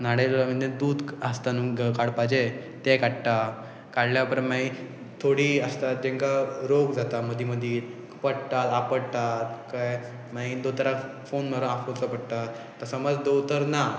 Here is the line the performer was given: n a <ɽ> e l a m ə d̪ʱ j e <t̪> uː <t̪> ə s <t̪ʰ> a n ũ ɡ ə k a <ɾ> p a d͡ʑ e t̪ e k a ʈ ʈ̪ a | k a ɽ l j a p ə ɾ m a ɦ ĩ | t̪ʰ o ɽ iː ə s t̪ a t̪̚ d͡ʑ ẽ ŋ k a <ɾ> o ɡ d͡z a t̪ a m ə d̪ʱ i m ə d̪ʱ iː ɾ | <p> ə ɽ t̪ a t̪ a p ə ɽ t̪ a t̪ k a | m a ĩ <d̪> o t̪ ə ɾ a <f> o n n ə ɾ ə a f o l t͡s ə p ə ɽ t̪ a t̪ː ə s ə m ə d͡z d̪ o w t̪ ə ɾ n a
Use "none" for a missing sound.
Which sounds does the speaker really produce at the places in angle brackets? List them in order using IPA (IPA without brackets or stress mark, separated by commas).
ɽ, d̪, d̪, t̪, ɽ, ɾ, p, d̪, f